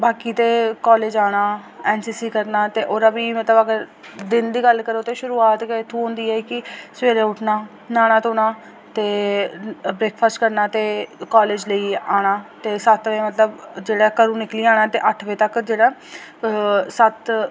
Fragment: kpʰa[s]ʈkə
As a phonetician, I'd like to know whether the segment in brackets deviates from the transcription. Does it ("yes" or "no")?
no